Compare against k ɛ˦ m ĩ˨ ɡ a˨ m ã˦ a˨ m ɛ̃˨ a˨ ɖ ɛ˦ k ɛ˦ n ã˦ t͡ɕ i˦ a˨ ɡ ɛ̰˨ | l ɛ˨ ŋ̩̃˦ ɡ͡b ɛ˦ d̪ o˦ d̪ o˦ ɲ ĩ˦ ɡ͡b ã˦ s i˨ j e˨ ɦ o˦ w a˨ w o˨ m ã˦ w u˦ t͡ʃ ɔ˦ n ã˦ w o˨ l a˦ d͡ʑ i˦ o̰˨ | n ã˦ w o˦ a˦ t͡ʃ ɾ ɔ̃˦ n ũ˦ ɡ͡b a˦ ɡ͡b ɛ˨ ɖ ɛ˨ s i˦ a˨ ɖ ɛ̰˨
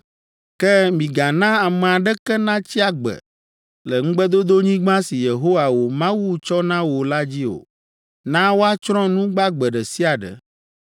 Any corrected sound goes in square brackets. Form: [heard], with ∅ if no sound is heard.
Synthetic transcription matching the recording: k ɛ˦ m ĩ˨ ɡ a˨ [n] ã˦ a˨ m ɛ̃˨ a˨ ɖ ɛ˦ k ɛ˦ n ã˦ t͡ɕ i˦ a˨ [ɡ͡b] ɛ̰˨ | l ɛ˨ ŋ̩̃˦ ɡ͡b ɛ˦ d̪ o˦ d̪ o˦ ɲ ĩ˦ ɡ͡b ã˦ s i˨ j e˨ ɦ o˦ w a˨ w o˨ m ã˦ w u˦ t͡ʃ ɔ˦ n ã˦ w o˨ l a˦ d͡ʑ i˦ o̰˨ | n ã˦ w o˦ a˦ t͡ʃ ɾ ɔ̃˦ n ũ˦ ɡ͡b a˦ ɡ͡b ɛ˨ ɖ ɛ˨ s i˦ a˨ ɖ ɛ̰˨